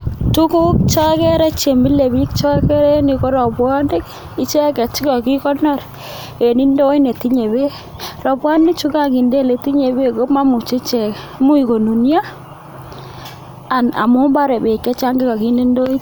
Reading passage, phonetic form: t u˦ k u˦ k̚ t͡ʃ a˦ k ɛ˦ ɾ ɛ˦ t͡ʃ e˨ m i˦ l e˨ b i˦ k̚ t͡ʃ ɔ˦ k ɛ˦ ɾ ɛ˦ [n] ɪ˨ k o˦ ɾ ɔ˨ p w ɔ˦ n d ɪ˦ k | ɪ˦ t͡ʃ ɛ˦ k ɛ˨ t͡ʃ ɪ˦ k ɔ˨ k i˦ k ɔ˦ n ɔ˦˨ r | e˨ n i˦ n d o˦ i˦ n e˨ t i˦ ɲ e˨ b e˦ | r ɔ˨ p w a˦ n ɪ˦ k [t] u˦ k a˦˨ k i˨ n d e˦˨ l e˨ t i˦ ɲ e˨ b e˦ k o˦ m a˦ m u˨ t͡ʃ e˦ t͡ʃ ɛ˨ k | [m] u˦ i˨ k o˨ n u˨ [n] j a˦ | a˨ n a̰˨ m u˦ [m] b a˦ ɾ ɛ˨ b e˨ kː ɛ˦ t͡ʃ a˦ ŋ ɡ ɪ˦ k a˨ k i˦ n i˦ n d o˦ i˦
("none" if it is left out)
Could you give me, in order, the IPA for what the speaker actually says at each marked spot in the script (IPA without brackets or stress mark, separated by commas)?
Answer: n, t͡ʃ, m, n, m